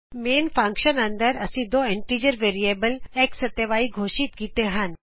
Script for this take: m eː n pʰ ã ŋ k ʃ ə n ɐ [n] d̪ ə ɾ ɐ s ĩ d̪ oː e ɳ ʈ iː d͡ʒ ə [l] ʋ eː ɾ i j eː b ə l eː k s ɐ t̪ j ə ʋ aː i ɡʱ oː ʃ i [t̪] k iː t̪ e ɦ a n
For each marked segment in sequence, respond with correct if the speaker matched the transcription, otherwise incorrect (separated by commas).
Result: correct, incorrect, correct